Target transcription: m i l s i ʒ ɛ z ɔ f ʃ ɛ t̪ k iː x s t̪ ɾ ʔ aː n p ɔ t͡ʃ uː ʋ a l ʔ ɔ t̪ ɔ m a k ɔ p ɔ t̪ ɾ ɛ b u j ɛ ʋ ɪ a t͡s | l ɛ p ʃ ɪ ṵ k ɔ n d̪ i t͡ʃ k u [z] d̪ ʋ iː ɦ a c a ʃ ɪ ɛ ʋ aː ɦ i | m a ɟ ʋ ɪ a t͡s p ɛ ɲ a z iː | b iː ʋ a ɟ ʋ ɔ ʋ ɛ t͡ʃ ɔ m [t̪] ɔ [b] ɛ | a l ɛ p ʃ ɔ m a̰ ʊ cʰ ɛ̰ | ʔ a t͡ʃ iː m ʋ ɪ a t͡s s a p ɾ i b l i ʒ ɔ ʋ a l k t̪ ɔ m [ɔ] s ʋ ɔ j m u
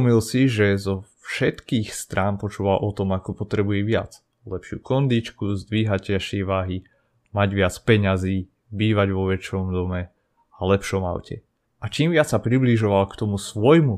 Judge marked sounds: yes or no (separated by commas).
yes, no, no, no